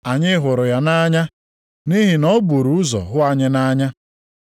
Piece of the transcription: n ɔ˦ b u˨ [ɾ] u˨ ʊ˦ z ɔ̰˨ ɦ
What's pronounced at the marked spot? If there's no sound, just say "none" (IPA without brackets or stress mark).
ɾ